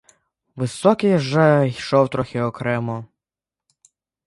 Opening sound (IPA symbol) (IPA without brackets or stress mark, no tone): ʋ